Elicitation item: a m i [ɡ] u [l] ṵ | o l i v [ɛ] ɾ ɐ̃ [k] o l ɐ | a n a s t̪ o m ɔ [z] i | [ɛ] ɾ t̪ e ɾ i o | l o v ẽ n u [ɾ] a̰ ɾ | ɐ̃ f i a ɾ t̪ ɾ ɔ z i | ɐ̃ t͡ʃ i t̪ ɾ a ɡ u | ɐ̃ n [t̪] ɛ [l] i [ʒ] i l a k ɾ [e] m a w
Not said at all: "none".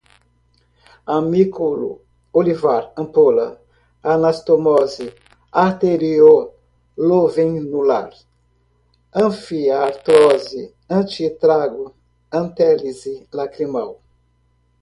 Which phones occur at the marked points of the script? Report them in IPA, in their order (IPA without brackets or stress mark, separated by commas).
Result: k, l, a, p, z, a, l, t̪, l, z, i